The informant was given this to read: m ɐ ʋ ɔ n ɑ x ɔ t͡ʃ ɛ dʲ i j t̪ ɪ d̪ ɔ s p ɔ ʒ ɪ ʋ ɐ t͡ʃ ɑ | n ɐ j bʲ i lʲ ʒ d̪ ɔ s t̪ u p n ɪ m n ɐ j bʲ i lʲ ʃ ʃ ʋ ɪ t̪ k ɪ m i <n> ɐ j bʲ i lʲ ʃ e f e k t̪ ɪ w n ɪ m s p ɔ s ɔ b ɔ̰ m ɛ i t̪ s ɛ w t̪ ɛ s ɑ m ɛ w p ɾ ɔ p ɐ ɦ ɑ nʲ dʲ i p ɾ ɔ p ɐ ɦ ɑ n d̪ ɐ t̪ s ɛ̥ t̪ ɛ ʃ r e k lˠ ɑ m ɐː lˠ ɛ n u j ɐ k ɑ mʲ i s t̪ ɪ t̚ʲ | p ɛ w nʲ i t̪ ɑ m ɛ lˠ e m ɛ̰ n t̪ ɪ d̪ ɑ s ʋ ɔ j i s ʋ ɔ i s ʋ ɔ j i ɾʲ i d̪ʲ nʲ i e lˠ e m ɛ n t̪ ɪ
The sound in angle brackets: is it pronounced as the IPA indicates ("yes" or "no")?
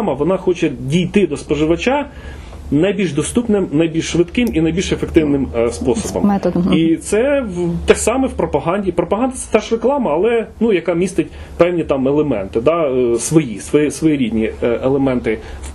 yes